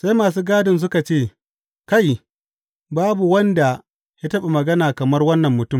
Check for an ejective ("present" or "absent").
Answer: absent